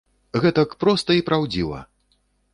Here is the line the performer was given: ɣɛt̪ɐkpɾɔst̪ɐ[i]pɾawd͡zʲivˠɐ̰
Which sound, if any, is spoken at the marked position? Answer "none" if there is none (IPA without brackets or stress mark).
i